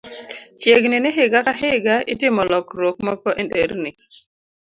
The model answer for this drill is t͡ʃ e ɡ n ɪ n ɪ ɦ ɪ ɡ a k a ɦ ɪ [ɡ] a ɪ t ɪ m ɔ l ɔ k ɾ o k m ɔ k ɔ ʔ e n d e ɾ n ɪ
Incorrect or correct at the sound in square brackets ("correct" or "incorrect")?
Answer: correct